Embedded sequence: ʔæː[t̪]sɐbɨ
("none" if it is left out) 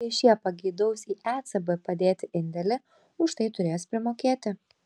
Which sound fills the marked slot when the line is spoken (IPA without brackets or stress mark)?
t̪